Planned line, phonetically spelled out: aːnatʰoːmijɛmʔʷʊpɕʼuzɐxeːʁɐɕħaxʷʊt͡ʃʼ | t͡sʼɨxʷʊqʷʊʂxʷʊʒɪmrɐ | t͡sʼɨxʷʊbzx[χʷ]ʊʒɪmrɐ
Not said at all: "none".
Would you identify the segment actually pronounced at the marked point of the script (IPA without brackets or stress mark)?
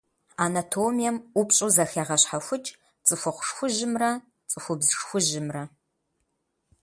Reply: xʷ